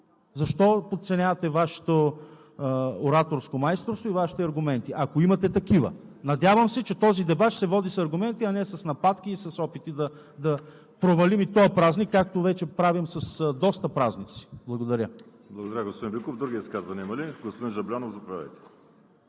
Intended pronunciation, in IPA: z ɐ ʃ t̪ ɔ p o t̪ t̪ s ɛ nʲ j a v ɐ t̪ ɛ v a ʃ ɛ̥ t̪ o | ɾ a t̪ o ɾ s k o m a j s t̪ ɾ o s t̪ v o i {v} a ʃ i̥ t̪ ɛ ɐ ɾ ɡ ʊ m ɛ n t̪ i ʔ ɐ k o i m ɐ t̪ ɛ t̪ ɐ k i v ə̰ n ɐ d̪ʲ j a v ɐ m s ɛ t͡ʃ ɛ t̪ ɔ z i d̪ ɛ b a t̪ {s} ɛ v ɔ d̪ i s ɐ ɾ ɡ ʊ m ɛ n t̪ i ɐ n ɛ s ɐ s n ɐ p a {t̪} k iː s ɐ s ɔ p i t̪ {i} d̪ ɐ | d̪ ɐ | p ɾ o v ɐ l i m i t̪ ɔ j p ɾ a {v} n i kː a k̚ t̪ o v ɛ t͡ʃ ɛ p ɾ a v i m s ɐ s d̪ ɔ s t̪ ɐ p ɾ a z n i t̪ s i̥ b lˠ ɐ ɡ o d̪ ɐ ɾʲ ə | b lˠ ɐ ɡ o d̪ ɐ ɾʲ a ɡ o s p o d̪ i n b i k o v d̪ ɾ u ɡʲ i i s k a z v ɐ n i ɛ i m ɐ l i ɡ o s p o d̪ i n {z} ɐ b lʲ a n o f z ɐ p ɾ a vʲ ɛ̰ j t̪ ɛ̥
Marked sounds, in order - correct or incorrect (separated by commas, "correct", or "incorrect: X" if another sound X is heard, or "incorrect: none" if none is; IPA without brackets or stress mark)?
correct, correct, correct, correct, incorrect: z, incorrect: ʒ